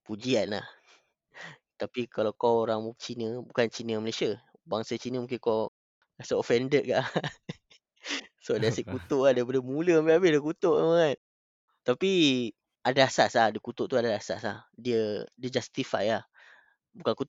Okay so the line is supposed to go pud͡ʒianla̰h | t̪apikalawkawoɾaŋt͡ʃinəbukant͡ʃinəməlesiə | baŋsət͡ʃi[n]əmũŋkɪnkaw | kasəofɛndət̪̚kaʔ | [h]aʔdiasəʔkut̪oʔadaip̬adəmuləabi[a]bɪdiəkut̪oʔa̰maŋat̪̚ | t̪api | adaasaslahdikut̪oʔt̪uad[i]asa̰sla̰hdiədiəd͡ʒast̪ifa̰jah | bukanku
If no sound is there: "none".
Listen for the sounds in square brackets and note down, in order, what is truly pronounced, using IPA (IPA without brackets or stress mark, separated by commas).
n, s, a, a